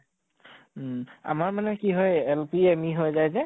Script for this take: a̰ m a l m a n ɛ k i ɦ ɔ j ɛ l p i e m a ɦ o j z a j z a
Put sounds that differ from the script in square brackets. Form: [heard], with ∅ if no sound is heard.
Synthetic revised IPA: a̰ m a [ɹ] m a n ɛ k i ɦ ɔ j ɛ l p i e m [i] ɦ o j z a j z [ɛ]